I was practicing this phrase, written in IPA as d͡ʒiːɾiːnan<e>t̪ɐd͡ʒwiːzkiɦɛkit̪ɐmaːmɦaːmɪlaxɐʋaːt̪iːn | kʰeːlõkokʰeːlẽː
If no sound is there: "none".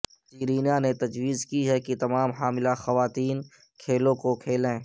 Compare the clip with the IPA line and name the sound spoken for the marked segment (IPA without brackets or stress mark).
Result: e